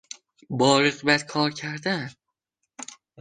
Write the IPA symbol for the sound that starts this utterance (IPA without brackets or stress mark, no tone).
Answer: b